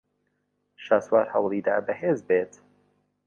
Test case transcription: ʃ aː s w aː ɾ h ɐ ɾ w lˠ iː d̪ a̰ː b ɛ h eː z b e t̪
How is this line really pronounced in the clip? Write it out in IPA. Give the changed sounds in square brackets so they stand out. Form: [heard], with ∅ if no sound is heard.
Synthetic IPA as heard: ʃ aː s w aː ɾ h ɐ [∅] w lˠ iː d̪ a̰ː b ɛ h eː z b e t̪